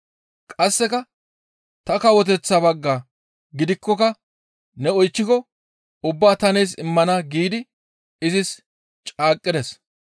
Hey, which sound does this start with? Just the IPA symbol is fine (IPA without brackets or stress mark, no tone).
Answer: kʼ